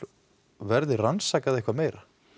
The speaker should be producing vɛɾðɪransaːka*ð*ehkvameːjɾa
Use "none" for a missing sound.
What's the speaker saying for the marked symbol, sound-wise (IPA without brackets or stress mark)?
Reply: ð